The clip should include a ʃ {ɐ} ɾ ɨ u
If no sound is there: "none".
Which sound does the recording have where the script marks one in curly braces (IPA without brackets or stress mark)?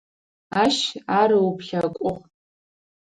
a